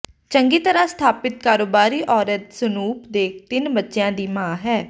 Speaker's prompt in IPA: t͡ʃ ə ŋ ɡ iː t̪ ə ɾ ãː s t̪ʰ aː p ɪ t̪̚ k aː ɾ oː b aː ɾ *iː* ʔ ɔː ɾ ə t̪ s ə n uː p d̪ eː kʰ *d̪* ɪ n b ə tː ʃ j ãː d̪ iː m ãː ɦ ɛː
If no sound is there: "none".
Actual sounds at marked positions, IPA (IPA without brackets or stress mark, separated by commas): iː, t̪